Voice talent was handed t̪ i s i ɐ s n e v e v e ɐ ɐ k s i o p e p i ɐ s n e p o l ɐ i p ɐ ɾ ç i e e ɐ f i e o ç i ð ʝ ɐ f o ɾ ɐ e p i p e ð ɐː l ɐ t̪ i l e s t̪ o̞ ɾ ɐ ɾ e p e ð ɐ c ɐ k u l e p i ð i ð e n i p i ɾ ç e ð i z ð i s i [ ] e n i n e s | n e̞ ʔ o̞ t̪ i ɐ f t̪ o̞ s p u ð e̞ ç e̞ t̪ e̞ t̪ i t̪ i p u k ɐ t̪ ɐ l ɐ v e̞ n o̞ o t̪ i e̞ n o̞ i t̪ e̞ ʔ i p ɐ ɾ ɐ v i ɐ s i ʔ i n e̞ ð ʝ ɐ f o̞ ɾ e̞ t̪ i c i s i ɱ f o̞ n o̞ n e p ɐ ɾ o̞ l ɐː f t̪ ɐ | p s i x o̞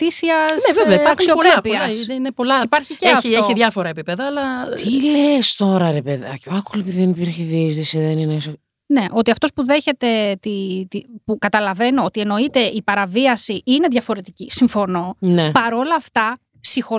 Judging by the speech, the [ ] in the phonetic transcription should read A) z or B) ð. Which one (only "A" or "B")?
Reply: B